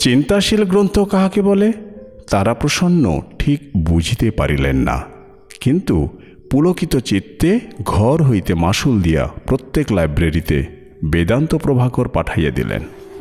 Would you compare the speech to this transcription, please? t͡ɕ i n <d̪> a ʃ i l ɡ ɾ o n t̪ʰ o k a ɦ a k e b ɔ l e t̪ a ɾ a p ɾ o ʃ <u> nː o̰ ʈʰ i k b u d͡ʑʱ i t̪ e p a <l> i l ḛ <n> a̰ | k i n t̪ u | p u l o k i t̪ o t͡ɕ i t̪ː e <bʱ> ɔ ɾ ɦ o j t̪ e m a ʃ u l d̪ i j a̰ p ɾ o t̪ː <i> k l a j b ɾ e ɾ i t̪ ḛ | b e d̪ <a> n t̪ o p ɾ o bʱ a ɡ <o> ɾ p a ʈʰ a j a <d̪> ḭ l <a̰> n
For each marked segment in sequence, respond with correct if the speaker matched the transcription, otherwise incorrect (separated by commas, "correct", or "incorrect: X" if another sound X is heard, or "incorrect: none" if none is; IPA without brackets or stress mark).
incorrect: t̪, incorrect: o, incorrect: ɾ, incorrect: nː, incorrect: ɡʱ, incorrect: e, correct, correct, correct, incorrect: ḛ